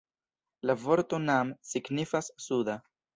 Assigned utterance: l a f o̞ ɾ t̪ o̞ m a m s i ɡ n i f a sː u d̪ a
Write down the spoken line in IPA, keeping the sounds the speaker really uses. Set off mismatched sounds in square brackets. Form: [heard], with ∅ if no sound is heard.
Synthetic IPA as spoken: l a [v] o̞ ɾ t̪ o̞ [n] a m s i ɡ n i f a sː u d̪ a